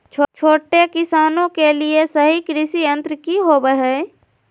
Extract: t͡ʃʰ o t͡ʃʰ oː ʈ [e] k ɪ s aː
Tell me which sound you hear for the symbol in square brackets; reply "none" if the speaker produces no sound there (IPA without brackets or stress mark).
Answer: e